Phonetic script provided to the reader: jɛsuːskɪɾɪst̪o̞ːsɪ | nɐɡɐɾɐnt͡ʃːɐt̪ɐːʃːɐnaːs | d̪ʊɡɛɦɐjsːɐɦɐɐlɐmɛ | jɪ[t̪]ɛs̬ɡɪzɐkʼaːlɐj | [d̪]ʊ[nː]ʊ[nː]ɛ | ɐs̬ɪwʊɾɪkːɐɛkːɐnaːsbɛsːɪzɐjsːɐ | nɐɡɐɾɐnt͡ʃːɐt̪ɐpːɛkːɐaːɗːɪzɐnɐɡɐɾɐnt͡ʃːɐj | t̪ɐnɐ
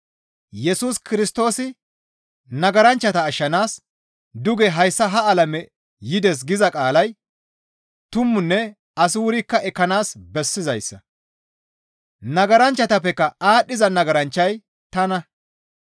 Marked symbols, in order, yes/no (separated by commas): no, no, no, yes